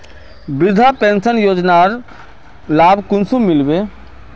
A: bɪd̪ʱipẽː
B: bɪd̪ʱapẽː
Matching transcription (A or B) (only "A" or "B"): B